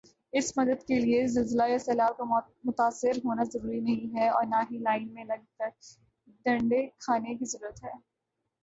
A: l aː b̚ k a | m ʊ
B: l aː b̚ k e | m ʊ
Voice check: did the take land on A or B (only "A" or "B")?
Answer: A